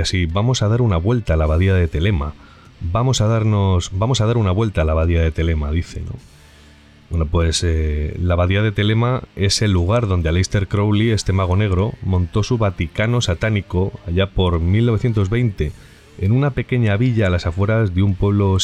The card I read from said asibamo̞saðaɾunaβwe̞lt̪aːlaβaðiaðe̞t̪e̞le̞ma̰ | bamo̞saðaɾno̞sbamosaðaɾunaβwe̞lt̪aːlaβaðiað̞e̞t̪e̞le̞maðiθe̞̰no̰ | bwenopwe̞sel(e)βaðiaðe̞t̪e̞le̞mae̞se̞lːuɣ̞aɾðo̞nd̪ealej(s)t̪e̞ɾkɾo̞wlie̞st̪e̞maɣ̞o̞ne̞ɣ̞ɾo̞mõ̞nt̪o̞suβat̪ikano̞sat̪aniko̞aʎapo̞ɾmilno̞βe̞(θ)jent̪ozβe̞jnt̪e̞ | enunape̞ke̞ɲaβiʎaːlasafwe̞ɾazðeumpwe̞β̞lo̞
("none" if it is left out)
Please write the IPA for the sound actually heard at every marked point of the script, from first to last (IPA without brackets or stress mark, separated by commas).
a, s, θ